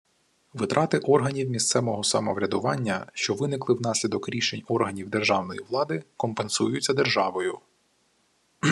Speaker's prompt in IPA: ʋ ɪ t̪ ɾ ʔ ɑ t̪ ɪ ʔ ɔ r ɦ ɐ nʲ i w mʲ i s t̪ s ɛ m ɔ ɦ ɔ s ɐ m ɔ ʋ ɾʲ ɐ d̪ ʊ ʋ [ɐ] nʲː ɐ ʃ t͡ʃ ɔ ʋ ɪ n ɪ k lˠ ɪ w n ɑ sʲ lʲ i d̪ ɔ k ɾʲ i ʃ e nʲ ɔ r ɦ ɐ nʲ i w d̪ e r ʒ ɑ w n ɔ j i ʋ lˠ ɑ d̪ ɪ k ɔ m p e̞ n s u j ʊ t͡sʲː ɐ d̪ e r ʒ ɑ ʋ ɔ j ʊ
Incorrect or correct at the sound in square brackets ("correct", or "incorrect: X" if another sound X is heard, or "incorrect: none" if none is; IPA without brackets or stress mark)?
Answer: incorrect: ɑ